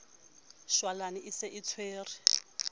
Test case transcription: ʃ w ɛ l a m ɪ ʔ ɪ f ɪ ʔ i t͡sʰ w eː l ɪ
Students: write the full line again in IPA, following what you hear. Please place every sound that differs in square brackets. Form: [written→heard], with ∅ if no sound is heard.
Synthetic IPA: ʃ w [ɛ→a] l a [m→n] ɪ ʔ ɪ [f→s] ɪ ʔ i t͡sʰ w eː [l→r] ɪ